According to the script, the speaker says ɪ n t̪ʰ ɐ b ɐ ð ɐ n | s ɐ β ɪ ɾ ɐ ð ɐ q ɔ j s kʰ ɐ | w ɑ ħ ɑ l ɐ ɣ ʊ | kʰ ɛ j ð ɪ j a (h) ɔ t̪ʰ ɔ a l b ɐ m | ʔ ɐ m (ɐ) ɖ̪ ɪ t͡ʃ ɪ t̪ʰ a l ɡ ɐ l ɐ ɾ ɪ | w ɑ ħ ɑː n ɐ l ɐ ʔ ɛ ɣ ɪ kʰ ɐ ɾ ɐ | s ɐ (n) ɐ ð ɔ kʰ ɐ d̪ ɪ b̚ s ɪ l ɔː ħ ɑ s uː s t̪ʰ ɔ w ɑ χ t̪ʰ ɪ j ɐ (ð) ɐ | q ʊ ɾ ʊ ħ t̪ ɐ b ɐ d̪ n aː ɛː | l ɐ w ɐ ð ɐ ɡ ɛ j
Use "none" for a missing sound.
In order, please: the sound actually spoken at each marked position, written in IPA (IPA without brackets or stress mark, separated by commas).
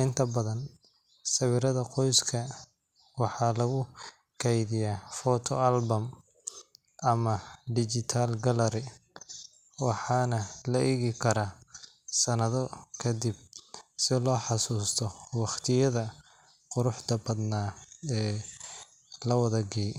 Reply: f, ɐ, n, ð